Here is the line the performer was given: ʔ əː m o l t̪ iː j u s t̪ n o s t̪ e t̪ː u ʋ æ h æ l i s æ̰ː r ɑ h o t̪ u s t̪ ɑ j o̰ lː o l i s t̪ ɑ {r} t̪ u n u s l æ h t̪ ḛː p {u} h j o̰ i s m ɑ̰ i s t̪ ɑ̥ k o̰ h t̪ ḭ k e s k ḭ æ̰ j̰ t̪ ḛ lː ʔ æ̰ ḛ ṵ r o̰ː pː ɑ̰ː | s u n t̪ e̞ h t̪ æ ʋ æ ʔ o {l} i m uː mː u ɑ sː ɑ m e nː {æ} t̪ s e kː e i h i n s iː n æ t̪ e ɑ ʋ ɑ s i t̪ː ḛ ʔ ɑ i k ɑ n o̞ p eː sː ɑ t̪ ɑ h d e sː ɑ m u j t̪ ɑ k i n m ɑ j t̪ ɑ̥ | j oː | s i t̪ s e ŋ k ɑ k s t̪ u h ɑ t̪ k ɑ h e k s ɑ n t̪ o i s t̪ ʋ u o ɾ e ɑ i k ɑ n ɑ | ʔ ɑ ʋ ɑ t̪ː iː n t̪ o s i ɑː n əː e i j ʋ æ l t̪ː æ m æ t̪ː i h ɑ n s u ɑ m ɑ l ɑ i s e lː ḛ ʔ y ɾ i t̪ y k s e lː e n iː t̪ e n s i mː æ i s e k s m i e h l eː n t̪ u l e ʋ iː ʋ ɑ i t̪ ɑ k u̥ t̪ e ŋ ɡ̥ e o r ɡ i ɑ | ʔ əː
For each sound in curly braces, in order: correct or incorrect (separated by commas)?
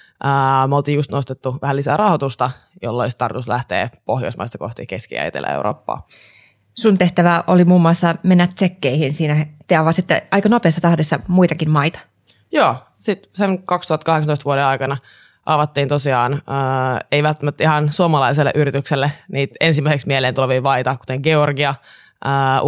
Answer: correct, incorrect, correct, correct